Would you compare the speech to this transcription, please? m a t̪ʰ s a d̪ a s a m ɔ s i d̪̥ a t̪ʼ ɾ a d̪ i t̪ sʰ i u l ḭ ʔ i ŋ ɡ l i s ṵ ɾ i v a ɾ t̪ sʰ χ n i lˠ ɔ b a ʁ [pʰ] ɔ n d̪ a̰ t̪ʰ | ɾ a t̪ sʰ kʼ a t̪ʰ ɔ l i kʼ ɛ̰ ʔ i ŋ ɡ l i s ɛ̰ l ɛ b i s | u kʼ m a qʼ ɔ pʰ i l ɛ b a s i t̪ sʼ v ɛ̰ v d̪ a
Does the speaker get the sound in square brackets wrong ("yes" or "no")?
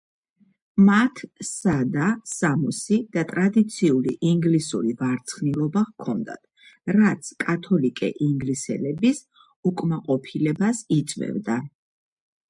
yes